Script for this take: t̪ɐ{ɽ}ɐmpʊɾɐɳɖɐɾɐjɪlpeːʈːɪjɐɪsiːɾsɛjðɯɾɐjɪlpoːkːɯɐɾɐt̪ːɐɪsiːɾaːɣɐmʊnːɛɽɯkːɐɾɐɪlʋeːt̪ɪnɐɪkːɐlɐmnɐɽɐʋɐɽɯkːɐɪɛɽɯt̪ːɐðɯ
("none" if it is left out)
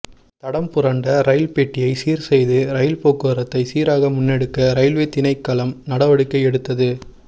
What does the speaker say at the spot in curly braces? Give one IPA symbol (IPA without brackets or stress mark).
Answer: ɽ